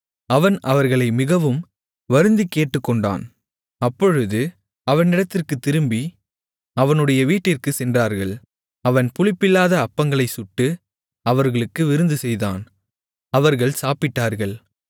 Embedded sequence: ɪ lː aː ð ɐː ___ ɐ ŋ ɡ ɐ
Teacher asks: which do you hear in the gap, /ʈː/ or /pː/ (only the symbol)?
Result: pː